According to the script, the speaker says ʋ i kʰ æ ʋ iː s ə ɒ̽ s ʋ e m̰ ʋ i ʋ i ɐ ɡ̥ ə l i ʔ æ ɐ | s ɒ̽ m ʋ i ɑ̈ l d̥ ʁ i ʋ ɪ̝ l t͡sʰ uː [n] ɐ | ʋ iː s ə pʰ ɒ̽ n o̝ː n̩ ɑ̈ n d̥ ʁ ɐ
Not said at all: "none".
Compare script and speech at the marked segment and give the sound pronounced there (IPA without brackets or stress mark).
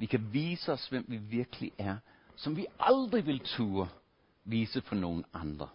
none